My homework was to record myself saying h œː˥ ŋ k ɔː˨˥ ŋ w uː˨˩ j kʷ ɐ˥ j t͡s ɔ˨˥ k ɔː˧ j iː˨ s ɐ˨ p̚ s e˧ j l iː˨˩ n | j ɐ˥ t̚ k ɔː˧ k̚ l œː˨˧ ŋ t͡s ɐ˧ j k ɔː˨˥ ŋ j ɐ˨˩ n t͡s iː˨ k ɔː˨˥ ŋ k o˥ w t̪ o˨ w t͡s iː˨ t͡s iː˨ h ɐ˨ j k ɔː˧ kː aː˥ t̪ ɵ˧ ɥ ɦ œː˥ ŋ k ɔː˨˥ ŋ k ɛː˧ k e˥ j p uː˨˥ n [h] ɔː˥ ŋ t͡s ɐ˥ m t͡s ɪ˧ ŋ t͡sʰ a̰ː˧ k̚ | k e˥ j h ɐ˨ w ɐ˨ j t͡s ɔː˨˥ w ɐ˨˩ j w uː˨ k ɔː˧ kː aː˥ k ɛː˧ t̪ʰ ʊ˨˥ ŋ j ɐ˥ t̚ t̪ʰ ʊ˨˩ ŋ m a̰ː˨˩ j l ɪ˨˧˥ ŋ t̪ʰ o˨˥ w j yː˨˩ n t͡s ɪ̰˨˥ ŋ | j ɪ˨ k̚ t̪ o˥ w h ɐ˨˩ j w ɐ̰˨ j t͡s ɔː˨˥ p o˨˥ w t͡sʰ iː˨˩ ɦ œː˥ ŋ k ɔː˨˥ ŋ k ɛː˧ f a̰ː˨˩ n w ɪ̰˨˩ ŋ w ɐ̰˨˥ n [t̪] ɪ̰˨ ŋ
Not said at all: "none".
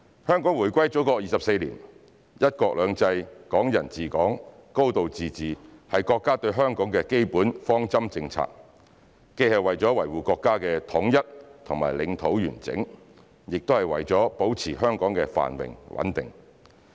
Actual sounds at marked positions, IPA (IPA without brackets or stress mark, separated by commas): f, t̪